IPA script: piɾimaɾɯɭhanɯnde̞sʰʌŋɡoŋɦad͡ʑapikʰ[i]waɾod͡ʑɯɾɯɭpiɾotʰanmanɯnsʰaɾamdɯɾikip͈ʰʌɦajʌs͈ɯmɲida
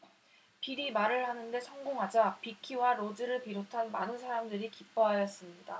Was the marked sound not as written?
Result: no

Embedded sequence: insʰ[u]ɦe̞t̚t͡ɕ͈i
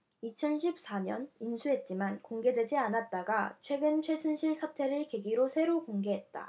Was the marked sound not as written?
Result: no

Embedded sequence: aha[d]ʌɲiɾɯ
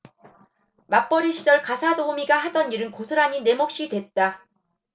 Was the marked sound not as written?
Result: no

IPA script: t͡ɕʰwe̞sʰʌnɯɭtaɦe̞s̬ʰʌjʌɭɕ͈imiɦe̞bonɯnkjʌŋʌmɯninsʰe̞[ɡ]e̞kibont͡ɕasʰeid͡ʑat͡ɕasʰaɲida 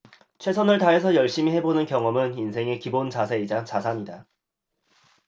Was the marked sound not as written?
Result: yes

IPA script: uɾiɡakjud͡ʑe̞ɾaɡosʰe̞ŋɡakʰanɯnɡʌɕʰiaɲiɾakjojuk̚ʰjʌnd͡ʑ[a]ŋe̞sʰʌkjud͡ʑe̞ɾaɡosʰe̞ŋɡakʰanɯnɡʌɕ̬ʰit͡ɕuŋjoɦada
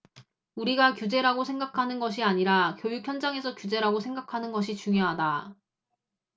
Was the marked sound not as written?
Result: no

